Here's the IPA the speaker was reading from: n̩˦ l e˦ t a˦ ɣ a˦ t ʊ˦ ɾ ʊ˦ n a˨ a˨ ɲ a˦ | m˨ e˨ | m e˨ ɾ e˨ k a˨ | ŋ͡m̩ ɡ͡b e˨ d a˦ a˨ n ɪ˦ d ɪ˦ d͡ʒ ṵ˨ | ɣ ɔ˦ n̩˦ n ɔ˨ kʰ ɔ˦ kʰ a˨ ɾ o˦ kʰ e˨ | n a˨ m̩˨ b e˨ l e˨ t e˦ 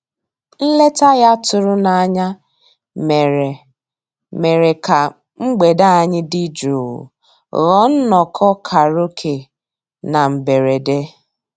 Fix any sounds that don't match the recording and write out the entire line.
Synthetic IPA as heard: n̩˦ l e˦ t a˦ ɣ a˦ t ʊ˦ ɾ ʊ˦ n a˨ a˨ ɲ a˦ | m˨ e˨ | m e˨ ɾ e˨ k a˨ | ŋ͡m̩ ɡ͡b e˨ d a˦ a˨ ɲ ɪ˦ d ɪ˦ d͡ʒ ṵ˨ | ɣ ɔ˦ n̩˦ n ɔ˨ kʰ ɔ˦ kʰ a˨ ɾ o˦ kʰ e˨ | n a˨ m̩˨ b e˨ ɾ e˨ d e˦

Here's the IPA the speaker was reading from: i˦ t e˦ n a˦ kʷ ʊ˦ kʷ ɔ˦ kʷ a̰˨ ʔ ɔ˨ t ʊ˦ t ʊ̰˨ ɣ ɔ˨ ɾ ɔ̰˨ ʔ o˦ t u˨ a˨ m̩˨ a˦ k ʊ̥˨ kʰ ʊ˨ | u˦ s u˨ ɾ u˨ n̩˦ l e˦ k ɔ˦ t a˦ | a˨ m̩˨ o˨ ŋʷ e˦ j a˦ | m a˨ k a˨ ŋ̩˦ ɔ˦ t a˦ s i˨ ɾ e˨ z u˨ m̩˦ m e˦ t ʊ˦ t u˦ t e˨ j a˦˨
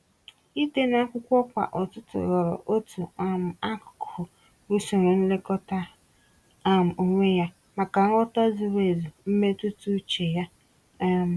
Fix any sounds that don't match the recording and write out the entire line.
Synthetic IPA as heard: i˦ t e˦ n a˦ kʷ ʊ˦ kʷ ɔ˦ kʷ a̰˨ ʔ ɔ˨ t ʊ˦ t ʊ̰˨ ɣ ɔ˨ ɾ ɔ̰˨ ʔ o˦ t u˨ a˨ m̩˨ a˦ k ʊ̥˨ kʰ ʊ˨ | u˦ s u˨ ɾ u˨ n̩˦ l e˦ k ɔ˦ t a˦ | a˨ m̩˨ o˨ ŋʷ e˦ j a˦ | m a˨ k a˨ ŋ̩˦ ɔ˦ t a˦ z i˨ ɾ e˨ z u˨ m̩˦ m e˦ t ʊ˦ t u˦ t͡ʃ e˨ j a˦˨

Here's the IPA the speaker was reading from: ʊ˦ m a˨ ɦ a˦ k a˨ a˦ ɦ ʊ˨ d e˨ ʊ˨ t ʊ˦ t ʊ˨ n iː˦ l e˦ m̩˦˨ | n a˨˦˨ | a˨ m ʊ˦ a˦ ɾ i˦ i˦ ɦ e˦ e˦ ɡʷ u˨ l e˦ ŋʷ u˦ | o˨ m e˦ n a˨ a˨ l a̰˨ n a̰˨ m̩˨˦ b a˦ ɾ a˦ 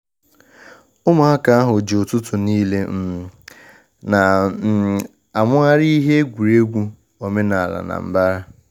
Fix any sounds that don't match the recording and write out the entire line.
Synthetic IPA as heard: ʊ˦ m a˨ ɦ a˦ k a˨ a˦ ɦ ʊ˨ d͡ʒ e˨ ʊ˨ t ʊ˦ t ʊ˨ n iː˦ l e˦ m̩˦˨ | n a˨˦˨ | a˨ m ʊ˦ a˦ ɾ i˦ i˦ ɦ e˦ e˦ ɡʷ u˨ ɾ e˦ ɡʷ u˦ | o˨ m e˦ n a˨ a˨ l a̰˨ n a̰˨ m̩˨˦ b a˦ ɾ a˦

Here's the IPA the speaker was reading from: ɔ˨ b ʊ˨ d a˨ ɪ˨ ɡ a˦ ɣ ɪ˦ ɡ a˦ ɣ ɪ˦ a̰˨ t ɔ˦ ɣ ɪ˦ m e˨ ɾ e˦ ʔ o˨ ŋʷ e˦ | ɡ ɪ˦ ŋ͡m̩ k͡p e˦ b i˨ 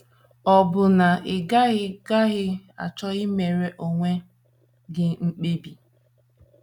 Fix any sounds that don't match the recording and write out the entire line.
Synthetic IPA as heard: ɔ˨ b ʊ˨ n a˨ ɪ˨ ɡ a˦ ɣ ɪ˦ ɡ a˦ ɣ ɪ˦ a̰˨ t͡ʃ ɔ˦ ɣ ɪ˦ m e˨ ɾ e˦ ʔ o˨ ŋʷ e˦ | ɡ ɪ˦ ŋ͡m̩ k͡p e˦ b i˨

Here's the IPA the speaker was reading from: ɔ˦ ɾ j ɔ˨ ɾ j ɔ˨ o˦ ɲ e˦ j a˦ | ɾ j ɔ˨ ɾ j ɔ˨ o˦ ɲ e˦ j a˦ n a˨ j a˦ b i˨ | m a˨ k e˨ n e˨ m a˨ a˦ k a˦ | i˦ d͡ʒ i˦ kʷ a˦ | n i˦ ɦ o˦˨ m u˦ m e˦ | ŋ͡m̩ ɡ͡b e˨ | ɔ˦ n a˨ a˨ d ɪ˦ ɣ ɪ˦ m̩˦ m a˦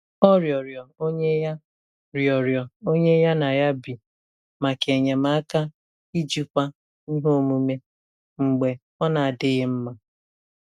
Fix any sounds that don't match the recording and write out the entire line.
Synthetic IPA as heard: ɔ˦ ɾ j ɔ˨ ɾ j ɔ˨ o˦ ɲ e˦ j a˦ | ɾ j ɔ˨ ɾ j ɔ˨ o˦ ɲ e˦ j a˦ n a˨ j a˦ b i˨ | m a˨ k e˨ ɲ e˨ m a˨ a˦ k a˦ | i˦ d͡ʒ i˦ kʷ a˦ | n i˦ ɦ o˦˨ m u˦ m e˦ | ŋ͡m̩ ɡ͡b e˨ | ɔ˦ n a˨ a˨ d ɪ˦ ɣ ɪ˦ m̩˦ m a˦

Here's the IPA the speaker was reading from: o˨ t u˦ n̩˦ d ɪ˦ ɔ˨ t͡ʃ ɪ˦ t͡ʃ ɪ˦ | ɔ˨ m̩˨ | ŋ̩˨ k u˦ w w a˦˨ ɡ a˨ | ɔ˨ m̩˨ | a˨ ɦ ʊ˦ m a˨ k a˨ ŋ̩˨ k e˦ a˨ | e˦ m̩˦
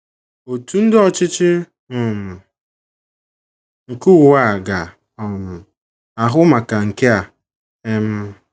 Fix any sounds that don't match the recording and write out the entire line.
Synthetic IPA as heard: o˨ t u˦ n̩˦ d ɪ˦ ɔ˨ t͡ʃ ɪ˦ t͡ʃ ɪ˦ | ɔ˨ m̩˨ | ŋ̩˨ k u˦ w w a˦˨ ɡ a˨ | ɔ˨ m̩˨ | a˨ ɦ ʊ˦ m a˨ k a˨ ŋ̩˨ k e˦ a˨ | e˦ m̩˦

